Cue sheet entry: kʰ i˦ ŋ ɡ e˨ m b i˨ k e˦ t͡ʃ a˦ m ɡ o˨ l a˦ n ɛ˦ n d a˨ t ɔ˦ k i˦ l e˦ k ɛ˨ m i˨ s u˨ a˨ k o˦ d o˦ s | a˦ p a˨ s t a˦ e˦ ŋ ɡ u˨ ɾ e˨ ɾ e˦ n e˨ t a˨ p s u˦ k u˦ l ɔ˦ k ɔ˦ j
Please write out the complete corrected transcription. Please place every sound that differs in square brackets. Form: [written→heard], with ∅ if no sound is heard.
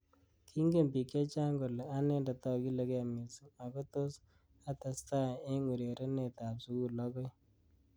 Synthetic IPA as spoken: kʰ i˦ ŋ ɡ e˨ m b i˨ k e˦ t͡ʃ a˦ [m→ŋ] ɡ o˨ l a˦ n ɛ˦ n d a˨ t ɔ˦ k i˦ l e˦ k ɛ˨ m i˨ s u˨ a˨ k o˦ [d→t] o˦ s | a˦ [p→t] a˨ s t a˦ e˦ ŋ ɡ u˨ ɾ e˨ ɾ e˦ n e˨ t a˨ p s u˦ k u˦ l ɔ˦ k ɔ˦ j